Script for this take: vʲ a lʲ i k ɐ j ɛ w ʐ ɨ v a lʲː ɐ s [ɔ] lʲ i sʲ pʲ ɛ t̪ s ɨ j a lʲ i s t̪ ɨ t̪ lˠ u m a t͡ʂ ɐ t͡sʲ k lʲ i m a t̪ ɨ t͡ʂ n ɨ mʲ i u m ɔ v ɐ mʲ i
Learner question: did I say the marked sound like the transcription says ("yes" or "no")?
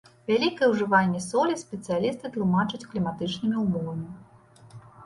yes